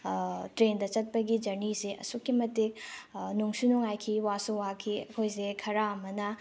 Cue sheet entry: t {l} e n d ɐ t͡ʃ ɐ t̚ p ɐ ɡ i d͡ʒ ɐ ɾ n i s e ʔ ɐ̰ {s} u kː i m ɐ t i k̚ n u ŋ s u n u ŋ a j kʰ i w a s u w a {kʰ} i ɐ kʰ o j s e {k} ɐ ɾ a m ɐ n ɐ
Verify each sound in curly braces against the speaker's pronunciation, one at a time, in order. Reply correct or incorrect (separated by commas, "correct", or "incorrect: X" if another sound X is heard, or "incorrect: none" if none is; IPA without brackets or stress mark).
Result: incorrect: ɾ, correct, correct, incorrect: kʰ